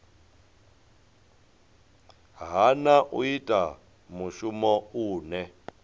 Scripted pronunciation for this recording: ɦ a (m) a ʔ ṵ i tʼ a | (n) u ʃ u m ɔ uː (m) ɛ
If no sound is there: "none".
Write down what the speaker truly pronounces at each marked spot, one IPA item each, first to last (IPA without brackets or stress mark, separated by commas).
n, m, n